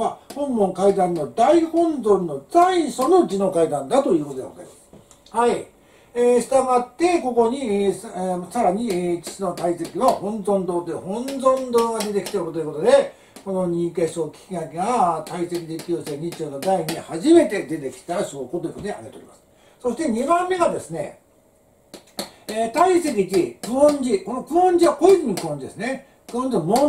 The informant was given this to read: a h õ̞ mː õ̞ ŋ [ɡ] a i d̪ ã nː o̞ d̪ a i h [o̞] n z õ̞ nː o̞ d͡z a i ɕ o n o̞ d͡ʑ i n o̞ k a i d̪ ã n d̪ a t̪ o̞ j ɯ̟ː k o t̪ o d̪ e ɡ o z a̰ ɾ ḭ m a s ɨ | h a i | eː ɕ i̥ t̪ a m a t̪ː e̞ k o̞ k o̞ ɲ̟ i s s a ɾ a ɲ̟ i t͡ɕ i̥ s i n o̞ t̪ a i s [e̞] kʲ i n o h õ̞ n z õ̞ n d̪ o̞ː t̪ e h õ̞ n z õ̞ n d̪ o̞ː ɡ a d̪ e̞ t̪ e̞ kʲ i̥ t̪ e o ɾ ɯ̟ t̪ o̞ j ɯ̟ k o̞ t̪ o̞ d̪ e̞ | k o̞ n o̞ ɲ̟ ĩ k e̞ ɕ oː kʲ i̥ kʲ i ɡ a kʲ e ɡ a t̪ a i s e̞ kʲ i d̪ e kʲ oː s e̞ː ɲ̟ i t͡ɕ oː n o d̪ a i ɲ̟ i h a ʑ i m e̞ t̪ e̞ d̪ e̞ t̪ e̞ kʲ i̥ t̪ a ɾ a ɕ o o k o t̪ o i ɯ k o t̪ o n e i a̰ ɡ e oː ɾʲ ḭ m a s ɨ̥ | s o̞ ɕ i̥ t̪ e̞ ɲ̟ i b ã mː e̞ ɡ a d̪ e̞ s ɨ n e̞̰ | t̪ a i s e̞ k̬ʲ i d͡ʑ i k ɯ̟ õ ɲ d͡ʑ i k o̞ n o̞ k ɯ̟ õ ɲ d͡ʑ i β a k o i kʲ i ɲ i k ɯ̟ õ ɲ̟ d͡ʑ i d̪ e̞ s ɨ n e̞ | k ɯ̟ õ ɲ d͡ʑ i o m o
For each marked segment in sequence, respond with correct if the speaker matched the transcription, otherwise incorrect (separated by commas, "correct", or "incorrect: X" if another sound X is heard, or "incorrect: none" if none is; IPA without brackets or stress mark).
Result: incorrect: k, incorrect: õ̞, correct